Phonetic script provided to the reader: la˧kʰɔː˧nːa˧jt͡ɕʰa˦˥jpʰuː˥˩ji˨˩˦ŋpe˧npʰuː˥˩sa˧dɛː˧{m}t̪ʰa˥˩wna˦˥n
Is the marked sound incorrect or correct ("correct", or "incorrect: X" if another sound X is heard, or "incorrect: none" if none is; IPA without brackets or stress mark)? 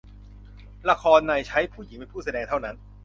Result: incorrect: ŋ